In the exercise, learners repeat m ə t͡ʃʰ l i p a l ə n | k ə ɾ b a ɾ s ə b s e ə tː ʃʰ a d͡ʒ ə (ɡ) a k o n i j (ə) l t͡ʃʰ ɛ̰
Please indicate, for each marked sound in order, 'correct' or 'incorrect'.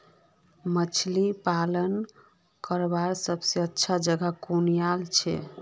correct, incorrect: a

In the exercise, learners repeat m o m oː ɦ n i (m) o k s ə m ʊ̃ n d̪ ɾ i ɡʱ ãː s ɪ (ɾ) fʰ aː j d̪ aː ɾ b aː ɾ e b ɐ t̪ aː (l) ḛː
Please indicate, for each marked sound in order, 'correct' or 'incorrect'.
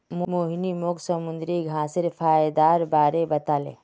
correct, correct, correct

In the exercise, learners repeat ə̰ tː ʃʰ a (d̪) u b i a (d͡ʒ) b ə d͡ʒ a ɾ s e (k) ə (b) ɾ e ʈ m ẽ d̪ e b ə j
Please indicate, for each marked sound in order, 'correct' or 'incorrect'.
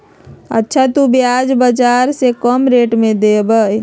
incorrect: t̪, correct, correct, incorrect: m

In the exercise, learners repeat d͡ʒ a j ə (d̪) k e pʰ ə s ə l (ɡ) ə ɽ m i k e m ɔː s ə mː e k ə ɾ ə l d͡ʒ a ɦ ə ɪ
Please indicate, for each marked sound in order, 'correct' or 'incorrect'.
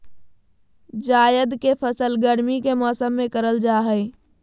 correct, correct

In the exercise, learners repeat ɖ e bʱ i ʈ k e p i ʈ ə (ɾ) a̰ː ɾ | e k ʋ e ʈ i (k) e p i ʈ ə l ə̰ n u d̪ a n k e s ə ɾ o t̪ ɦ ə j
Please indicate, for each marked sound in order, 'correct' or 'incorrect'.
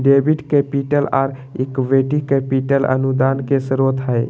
incorrect: l, correct

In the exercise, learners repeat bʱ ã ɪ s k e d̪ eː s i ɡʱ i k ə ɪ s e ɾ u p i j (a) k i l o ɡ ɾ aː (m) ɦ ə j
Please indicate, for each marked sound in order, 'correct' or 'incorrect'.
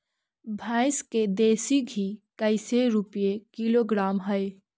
incorrect: e, correct

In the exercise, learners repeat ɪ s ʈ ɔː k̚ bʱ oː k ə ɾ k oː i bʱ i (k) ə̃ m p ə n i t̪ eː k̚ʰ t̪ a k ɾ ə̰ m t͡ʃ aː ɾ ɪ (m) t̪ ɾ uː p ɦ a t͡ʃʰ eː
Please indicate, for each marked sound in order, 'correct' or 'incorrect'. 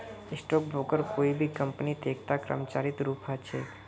correct, incorrect: none

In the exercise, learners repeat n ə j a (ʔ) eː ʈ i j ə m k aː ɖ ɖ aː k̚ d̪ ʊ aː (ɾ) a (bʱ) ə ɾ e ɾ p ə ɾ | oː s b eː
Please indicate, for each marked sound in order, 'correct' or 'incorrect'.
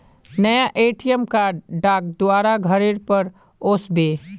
correct, correct, incorrect: ɡʱ

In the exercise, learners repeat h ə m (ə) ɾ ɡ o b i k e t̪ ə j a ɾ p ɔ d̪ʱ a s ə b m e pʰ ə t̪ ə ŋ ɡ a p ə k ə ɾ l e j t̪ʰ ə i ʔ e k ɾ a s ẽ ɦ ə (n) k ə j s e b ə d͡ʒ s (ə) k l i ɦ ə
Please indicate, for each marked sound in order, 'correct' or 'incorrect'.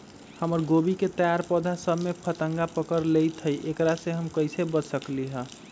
correct, incorrect: m, correct

